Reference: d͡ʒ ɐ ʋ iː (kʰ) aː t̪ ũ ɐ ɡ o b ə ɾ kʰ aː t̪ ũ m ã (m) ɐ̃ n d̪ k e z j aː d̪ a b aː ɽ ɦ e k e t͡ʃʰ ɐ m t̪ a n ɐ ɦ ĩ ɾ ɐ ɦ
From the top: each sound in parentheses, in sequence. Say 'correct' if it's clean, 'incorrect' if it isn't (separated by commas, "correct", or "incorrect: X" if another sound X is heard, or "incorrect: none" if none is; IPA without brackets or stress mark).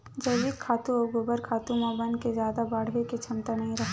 correct, incorrect: b